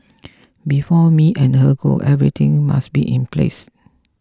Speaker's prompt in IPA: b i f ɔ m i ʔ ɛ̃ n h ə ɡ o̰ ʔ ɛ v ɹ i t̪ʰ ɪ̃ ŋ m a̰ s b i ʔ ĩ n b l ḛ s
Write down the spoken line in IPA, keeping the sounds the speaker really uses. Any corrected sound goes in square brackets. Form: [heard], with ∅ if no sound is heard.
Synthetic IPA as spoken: b i f ɔ m i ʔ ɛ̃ n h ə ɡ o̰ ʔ ɛ v ɹ i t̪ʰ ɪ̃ ŋ m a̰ s b i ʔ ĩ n [p] l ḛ s